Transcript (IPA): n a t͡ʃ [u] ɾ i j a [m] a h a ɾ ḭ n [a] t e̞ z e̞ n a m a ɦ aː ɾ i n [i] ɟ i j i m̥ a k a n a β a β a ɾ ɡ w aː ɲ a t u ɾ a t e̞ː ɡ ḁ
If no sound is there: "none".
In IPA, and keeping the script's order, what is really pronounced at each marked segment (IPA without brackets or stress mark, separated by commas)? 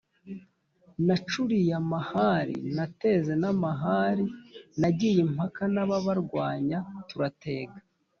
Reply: u, m, a, a